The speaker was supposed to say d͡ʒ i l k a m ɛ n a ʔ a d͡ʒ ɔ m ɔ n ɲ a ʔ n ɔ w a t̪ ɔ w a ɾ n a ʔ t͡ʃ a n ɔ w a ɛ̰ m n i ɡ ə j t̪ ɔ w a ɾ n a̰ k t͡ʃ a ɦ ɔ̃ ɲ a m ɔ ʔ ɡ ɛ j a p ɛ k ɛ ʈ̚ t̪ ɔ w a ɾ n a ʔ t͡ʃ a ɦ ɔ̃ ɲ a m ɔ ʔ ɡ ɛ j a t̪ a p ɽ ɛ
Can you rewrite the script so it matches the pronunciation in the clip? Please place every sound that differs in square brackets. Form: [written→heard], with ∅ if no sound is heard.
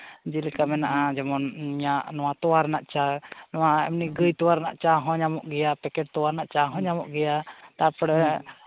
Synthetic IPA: d͡ʒ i l k a m ɛ n a ʔ a d͡ʒ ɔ m ɔ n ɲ a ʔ n ɔ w a t̪ ɔ w a ɾ n a ʔ t͡ʃ a n ɔ w a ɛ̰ m n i ɡ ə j t̪ ɔ w a ɾ n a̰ [k→ʔ] t͡ʃ a ɦ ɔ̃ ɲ a m ɔ ʔ ɡ ɛ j a p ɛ k ɛ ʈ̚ t̪ ɔ w a ɾ n a ʔ t͡ʃ a ɦ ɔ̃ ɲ a m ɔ ʔ ɡ ɛ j a t̪ a p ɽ ɛ